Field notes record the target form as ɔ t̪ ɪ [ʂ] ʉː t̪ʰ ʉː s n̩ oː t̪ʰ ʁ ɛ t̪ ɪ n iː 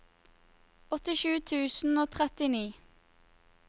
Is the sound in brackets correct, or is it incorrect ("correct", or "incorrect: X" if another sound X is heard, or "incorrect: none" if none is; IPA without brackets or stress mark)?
incorrect: ʃ